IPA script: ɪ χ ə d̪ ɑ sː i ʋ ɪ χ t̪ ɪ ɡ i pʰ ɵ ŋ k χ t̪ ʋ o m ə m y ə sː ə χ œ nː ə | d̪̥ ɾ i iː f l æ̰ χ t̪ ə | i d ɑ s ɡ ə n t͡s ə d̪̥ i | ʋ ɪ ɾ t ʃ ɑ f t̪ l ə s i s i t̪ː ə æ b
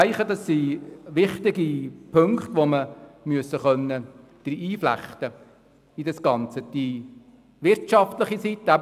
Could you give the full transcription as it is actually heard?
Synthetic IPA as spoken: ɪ χ ə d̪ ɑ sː i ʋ ɪ χ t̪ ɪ ɡ i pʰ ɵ ŋ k χ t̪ ʋ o m ə m y ə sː ə χ œ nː ə | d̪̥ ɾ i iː f l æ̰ χ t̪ ə | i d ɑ s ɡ ɑ n t͡s ə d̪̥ i | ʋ ɪ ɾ t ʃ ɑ f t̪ l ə χ i s i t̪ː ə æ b